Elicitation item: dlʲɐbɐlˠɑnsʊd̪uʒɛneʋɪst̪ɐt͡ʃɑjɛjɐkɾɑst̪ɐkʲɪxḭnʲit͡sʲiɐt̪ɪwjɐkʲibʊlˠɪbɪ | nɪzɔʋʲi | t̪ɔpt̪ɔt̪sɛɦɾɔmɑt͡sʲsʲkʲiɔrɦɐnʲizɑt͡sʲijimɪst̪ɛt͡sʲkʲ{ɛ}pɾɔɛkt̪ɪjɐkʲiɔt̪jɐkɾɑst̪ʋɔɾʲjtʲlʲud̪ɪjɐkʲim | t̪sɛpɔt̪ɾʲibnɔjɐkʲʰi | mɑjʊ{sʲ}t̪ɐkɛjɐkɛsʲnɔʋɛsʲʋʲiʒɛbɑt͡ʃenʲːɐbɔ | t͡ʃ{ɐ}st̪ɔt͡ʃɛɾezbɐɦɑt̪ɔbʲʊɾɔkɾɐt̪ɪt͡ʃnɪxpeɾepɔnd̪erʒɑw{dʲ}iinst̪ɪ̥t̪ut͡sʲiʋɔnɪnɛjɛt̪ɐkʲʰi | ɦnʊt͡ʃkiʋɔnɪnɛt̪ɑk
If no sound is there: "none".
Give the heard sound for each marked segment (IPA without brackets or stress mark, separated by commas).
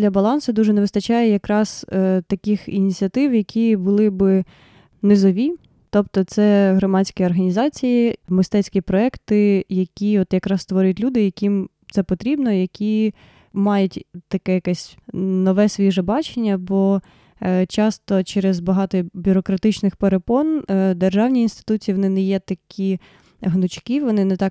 i, tʲ, ɑ, nʲ